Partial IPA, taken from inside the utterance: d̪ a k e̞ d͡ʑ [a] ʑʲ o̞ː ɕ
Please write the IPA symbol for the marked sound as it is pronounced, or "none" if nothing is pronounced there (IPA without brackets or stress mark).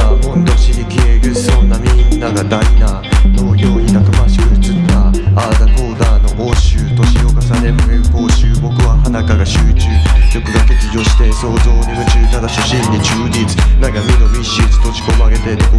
i